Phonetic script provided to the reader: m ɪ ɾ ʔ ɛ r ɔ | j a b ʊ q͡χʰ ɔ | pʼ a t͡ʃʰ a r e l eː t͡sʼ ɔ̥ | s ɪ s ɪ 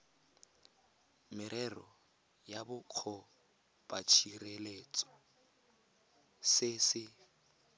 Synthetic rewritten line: m ɪ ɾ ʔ ɛ r ɔ | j a b ʊ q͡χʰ ɔ | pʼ a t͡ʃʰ i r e l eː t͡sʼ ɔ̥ | s ɪ s ɪ